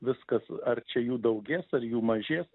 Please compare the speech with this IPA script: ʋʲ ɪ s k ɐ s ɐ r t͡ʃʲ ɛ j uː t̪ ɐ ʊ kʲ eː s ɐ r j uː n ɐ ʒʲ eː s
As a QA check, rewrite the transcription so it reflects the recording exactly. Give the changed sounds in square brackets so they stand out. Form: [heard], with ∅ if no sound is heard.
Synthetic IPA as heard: ʋʲ ɪ s k ɐ s ɐ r t͡ʃʲ ɛ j uː [d̪] ɐ ʊ [ɡʲ] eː s ɐ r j uː [m] ɐ ʒʲ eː s

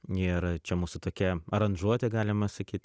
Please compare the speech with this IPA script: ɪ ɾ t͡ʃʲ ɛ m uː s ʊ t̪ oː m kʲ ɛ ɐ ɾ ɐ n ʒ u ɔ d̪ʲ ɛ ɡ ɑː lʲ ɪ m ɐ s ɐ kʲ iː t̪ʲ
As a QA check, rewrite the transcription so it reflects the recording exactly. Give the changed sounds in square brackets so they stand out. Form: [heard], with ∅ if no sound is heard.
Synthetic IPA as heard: ɪ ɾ t͡ʃʲ ɛ m uː s ʊ t̪ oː [∅] kʲ ɛ ɐ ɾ ɐ n ʒ u ɔ [t̪ʲ] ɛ ɡ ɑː lʲ ɪ m ɐ s ɐ kʲ iː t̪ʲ

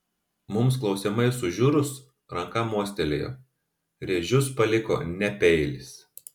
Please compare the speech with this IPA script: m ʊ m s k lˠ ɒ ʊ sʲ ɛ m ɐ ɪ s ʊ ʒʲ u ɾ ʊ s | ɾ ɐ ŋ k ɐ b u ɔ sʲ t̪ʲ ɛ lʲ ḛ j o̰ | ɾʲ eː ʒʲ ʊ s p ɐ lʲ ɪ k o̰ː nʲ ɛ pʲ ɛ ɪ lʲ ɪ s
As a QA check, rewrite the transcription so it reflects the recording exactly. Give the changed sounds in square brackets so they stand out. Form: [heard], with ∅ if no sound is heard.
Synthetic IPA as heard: m ʊ m s k lˠ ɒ ʊ sʲ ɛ m ɐ ɪ s ʊ ʒʲ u ɾ ʊ s | ɾ ɐ ŋ k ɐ [m] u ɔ sʲ t̪ʲ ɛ lʲ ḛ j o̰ | ɾʲ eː ʒʲ ʊ s p ɐ lʲ ɪ k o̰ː nʲ ɛ pʲ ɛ ɪ lʲ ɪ s

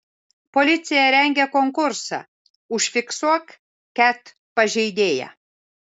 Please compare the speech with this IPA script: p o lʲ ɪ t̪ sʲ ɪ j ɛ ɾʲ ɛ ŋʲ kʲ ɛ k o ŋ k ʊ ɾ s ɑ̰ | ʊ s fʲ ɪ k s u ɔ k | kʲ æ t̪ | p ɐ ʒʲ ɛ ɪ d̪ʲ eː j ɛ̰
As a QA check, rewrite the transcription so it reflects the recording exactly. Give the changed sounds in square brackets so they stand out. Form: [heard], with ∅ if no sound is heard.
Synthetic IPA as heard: p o lʲ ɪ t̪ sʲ ɪ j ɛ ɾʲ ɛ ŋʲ [ɡʲ] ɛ k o ŋ k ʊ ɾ s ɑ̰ | ʊ [ʃ] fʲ ɪ k s u ɔ k | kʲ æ t̪ | p ɐ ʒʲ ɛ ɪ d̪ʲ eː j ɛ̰

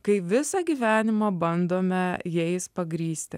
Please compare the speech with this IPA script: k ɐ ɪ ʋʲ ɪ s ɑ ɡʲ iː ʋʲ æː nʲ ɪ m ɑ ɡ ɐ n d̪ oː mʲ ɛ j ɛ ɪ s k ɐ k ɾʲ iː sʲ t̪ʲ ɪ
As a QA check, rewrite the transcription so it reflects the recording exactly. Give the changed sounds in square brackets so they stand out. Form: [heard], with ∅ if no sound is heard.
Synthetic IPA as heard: k ɐ ɪ ʋʲ ɪ s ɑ ɡʲ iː ʋʲ æː nʲ ɪ m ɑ [b] ɐ n d̪ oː mʲ ɛ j ɛ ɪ s [p] ɐ [ɡ] ɾʲ iː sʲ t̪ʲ ɪ

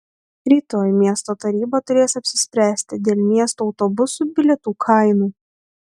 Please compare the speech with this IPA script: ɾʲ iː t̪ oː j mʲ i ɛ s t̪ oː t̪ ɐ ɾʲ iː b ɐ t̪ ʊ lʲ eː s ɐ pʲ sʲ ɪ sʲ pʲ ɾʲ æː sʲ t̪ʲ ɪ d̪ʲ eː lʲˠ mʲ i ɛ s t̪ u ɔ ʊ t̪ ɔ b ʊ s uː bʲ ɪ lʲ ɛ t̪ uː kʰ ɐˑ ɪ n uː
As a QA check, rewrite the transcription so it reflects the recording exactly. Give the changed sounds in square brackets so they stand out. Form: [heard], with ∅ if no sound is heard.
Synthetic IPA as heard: ɾʲ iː t̪ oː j mʲ i ɛ s t̪ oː t̪ ɐ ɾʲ iː b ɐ t̪ ʊ [ɾʲ] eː s ɐ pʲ sʲ ɪ sʲ pʲ ɾʲ æː sʲ t̪ʲ ɪ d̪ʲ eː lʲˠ mʲ i ɛ s t̪ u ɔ ʊ t̪ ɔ b ʊ s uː bʲ ɪ lʲ ɛ t̪ uː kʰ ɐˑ ɪ n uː

